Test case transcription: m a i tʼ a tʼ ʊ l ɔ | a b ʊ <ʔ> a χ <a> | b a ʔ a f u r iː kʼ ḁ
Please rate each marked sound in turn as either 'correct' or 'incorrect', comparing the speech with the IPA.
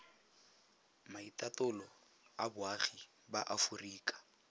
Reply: incorrect, incorrect

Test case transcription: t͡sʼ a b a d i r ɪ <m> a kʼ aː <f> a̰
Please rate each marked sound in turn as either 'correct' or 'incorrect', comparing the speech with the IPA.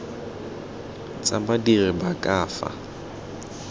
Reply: incorrect, correct

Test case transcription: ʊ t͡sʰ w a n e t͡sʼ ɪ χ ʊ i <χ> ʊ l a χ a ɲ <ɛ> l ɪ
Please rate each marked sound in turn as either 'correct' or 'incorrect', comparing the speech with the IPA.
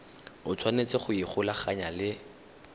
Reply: correct, incorrect

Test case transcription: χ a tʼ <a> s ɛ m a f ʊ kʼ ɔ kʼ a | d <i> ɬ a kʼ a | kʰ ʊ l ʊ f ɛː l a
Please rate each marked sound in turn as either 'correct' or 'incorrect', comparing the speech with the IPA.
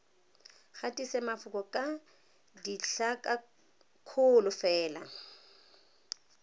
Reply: incorrect, correct

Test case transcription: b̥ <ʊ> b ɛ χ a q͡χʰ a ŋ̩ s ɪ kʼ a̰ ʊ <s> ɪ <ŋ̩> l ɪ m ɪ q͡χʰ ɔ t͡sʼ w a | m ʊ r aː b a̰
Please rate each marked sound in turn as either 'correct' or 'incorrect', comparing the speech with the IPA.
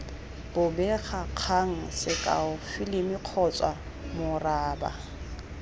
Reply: correct, incorrect, incorrect

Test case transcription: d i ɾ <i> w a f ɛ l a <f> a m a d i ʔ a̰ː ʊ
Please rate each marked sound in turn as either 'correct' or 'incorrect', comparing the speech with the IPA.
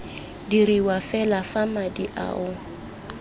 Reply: correct, correct

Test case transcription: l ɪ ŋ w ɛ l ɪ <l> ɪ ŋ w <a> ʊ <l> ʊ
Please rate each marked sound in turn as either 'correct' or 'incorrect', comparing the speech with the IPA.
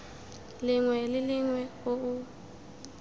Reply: correct, incorrect, incorrect

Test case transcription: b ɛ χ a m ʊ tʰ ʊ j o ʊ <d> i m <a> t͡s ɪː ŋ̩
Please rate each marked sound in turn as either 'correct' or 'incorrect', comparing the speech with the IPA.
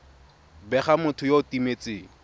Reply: incorrect, incorrect

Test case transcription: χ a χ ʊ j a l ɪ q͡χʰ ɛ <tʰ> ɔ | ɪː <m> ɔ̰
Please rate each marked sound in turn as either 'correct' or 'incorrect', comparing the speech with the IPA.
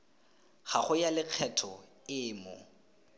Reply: correct, correct

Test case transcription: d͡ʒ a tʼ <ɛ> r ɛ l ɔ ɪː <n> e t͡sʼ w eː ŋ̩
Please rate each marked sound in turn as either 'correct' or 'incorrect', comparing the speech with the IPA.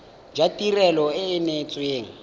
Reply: incorrect, correct

